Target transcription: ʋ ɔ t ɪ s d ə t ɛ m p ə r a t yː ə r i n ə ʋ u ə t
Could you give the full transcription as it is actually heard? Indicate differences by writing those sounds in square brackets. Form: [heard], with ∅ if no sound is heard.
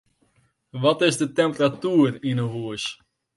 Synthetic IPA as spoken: ʋ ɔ t ɪ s d ə t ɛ m p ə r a t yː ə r i n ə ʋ u ə [s]